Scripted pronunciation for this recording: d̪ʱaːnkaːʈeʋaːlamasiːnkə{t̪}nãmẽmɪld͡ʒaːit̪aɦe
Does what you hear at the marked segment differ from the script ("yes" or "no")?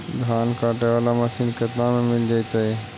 no